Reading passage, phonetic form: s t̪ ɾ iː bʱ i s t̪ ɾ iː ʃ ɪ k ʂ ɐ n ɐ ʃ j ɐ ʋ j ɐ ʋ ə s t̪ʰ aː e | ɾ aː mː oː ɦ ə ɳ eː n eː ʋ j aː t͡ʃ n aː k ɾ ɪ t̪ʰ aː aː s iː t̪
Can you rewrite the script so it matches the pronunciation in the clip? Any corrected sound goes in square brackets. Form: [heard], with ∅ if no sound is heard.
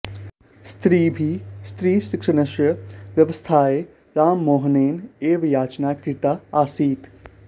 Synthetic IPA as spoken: s t̪ ɾ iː bʱ i s t̪ ɾ iː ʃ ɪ k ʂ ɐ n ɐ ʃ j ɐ ʋ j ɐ ʋ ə s t̪ʰ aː e | ɾ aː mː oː ɦ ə [n] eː n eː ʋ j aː t͡ʃ n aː k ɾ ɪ [t̪] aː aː s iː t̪

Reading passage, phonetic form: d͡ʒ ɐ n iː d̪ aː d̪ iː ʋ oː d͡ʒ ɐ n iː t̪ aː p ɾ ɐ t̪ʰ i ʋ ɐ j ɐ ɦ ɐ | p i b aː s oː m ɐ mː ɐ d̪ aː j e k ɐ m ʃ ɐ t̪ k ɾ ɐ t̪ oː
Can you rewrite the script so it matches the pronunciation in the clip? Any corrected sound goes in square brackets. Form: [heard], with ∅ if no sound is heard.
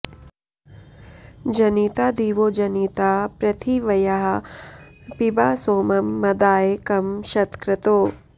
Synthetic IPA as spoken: d͡ʒ ɐ n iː [t̪] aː d̪ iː ʋ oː d͡ʒ ɐ n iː t̪ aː p ɾ ɐ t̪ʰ i ʋ ɐ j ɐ ɦ ɐ | p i b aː s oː m ɐ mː ɐ d̪ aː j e k ɐ m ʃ ɐ t̪ k ɾ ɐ t̪ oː

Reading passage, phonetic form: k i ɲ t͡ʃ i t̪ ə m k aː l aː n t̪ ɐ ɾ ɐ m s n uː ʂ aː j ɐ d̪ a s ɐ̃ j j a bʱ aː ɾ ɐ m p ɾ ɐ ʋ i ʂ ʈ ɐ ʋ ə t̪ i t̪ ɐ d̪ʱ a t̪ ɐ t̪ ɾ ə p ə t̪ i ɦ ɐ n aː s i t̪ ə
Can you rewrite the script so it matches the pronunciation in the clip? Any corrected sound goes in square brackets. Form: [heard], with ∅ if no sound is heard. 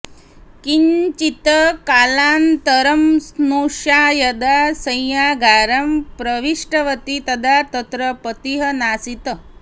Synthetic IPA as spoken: k i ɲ t͡ʃ i t̪ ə [∅] k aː l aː n t̪ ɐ ɾ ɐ m s n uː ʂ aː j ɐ d̪ a s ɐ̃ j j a [ɡʱ] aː ɾ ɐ m p ɾ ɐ ʋ i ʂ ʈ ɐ ʋ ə t̪ i t̪ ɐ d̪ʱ a t̪ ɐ t̪ ɾ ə p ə t̪ i ɦ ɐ n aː s i t̪ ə

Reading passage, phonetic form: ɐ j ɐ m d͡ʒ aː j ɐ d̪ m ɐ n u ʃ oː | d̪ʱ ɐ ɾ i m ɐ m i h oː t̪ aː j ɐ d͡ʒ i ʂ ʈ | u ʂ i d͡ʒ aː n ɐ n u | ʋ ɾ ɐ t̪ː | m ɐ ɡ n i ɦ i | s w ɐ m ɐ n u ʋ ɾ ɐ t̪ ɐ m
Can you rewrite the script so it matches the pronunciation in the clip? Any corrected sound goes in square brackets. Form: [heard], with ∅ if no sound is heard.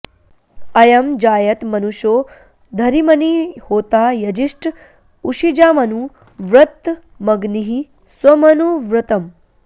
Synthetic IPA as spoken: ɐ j ɐ m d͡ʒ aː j ɐ [t̪] m ɐ n u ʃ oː | d̪ʱ ɐ ɾ i m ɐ [n] i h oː t̪ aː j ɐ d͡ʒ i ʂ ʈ | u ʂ i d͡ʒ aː [m] ɐ n u | ʋ ɾ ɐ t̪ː | m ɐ ɡ n i ɦ i | s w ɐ m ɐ n u ʋ ɾ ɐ t̪ ɐ m

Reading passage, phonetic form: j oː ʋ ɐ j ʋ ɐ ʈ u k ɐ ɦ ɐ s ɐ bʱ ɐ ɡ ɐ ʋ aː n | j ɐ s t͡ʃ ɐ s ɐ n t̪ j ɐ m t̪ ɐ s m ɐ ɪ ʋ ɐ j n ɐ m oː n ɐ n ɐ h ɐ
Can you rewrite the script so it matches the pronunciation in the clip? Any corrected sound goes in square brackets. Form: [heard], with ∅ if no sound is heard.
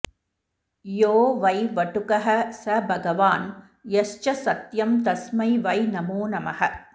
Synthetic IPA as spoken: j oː ʋ ɐ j ʋ ɐ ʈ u k ɐ ɦ ɐ s ɐ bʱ ɐ ɡ ɐ ʋ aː n | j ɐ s t͡ʃ ɐ s ɐ [∅] t̪ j ɐ m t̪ ɐ s m ɐ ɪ ʋ ɐ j n ɐ m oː n ɐ [m] ɐ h ɐ

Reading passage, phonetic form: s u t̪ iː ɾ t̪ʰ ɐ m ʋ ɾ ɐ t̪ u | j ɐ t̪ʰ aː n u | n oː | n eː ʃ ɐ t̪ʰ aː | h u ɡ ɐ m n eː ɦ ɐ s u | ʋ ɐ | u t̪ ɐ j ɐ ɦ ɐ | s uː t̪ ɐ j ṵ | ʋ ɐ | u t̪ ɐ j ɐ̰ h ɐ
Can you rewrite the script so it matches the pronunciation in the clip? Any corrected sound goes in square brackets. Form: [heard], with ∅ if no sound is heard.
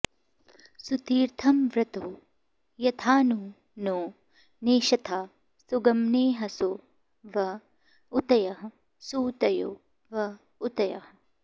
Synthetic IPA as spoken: s u t̪ iː ɾ t̪ʰ ɐ m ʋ ɾ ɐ t̪ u | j ɐ t̪ʰ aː n u | n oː | n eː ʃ ɐ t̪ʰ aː | [s] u ɡ ɐ m n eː ɦ ɐ s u | ʋ ɐ | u t̪ ɐ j ɐ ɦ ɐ | s uː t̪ ɐ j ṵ | ʋ ɐ | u t̪ ɐ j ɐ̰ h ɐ

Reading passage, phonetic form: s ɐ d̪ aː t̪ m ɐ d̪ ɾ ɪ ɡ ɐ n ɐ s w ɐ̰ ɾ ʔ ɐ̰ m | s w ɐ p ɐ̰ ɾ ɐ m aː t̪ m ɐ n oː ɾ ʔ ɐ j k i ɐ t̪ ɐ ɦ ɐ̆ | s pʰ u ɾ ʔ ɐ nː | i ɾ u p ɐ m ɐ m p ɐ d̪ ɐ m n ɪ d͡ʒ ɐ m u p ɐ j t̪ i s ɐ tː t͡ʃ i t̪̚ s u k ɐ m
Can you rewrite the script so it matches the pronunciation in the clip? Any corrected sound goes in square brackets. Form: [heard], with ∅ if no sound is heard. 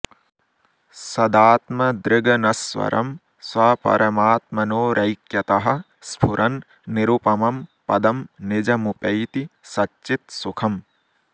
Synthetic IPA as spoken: s ɐ d̪ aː t̪ m ɐ d̪ ɾ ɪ ɡ ɐ n ɐ s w ɐ̰ ɾ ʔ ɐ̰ m | s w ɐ p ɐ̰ ɾ ɐ m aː t̪ m ɐ n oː ɾ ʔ ɐ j k [j] ɐ t̪ ɐ ɦ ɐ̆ | s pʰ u ɾ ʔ ɐ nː | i ɾ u p ɐ m ɐ m p ɐ d̪ ɐ m n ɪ d͡ʒ ɐ m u p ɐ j t̪ i s ɐ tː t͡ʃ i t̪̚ s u [kʰ] ɐ m

